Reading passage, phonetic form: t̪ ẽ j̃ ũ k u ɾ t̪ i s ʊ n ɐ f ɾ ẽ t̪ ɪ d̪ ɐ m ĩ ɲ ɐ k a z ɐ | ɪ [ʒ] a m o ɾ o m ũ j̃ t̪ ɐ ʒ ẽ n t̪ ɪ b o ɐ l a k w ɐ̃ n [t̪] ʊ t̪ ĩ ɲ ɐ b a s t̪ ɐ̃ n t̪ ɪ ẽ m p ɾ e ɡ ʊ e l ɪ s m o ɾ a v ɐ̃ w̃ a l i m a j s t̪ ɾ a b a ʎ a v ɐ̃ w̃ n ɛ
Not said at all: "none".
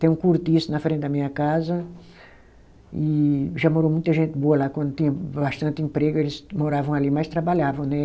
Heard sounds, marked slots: ʒ, d̪

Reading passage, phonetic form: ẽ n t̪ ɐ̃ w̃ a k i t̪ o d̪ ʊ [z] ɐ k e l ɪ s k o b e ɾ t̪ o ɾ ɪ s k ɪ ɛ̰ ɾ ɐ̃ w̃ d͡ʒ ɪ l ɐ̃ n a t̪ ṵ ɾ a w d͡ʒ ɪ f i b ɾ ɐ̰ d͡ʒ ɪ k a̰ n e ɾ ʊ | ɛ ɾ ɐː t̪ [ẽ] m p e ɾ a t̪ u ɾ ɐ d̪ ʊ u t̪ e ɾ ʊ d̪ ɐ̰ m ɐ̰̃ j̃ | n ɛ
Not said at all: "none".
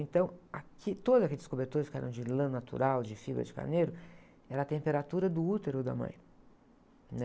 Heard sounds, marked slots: z, ẽ

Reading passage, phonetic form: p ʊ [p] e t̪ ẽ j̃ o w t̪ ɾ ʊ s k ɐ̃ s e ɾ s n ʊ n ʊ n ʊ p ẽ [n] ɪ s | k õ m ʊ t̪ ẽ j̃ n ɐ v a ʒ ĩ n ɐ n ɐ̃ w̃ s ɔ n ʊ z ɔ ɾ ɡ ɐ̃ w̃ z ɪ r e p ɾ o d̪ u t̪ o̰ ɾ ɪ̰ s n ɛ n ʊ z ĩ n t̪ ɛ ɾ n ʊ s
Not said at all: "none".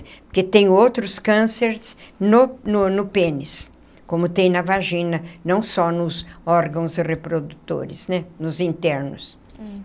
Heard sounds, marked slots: k, n

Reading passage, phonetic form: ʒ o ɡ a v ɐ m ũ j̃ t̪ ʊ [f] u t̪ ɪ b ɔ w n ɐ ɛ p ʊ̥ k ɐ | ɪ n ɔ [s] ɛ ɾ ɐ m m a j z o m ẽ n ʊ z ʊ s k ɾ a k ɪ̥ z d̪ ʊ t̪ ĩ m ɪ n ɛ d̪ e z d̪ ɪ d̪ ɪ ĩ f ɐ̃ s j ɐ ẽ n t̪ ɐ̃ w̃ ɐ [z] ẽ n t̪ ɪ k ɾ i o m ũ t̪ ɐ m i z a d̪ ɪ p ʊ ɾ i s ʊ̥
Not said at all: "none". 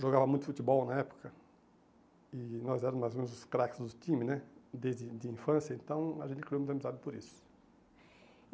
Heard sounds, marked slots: f, z, ʒ

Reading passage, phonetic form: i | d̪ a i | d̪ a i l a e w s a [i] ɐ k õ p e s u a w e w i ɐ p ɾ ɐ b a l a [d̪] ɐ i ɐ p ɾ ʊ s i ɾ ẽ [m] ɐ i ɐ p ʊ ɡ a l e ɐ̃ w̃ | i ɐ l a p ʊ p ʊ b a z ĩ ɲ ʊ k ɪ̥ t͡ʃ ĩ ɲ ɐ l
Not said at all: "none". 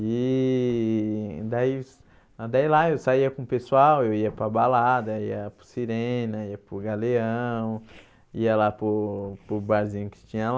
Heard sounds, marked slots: i, d̪, n

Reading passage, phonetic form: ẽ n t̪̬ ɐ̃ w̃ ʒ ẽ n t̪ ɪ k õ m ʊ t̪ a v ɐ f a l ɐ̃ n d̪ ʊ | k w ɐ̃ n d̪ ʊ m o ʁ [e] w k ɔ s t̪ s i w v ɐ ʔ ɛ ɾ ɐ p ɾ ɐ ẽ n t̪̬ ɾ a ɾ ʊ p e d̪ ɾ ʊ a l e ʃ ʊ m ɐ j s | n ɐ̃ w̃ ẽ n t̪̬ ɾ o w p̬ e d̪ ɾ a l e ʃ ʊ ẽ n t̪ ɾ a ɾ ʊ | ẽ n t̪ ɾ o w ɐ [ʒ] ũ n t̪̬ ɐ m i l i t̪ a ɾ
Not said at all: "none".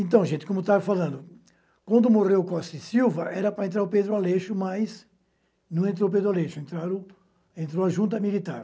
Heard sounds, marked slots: e, ʒ

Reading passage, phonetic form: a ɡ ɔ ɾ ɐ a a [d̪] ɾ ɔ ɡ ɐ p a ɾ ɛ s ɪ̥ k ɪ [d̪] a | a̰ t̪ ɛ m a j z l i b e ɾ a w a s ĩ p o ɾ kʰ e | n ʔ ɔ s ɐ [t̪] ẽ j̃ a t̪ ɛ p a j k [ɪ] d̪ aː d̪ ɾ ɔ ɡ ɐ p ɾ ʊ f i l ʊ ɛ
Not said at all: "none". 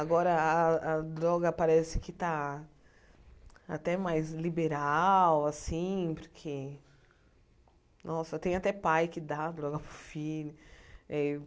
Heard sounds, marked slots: d̪, t̪, t̪, ɪ

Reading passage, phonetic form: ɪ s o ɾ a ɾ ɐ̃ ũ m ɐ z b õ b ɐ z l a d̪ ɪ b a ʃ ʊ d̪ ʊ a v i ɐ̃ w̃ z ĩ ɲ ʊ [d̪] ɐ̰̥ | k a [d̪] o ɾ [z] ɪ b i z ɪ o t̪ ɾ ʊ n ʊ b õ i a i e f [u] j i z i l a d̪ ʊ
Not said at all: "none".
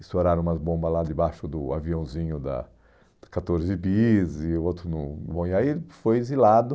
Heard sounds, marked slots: d̪, t̪, z, o

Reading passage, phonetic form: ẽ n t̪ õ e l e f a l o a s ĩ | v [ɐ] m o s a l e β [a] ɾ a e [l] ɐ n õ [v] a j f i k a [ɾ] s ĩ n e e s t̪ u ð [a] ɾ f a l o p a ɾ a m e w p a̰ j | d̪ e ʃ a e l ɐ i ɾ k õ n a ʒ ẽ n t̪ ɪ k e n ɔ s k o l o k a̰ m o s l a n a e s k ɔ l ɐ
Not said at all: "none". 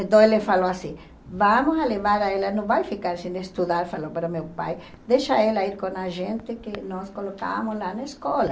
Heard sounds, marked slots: a, a, l, v, ɾ, a

